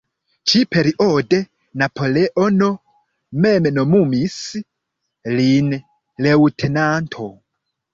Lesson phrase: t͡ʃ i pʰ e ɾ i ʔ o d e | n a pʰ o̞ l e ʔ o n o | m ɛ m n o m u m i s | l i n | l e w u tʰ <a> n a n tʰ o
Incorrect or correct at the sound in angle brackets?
incorrect: e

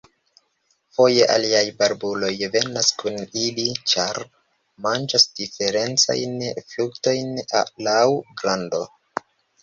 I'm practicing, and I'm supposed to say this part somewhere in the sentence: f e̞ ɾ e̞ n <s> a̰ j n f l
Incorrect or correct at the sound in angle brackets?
incorrect: t͡s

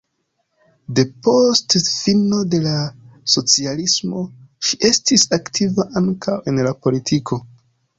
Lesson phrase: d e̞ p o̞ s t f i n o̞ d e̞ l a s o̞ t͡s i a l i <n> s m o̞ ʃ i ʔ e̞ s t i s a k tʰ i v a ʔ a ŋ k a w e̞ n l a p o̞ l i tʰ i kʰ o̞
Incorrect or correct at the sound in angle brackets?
incorrect: none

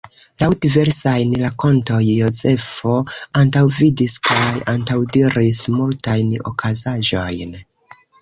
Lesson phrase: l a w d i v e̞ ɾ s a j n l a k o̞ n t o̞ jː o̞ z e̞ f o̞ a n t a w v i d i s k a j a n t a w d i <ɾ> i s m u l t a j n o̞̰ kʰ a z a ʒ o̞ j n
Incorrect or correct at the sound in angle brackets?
correct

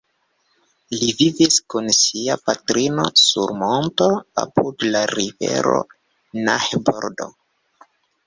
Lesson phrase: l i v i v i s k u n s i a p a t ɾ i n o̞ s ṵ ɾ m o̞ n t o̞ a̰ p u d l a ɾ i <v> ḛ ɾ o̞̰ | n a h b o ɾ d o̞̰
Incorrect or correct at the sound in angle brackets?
correct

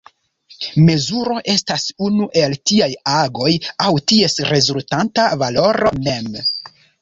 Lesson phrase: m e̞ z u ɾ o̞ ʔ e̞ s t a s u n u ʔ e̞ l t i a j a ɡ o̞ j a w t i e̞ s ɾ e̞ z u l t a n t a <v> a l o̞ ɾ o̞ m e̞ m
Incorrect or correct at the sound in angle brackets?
correct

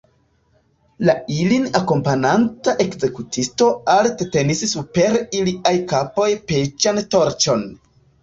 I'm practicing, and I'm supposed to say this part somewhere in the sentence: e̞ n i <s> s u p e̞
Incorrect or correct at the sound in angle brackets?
correct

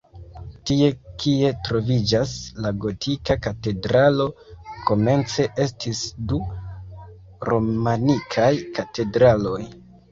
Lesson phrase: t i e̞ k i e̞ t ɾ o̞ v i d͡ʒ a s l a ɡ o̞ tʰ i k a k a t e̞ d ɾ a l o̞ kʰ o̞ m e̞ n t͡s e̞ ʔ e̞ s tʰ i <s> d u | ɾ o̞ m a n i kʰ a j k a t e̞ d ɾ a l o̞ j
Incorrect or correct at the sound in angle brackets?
correct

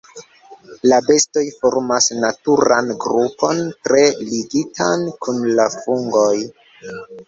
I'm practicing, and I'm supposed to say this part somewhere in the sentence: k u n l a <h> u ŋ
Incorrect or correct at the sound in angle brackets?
incorrect: f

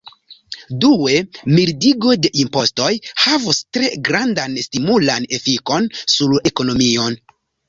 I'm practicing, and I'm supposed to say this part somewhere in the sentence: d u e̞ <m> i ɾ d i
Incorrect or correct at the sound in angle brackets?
correct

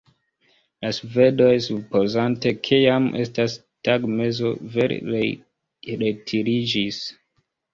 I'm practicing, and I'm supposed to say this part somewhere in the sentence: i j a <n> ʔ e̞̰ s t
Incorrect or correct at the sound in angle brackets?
incorrect: m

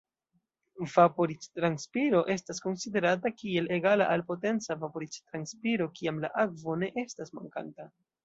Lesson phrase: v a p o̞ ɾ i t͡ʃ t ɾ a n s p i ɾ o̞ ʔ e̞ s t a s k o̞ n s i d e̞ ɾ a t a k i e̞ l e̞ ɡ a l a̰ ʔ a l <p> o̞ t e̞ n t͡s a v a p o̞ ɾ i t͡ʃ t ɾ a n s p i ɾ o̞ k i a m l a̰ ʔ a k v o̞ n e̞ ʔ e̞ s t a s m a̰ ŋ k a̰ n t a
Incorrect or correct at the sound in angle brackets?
correct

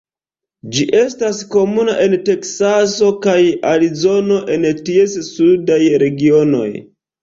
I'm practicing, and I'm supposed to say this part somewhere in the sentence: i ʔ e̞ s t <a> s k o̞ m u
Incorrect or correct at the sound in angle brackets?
correct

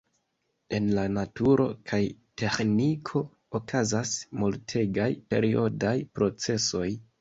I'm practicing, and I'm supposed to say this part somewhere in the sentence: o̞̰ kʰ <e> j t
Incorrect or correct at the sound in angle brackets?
incorrect: a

